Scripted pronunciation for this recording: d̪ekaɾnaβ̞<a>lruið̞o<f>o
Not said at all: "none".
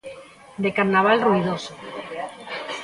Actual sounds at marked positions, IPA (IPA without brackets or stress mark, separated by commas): a, s